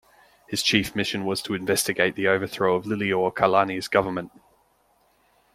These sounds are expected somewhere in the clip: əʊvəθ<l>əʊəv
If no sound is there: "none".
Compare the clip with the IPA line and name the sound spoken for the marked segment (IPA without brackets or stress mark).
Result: ɹ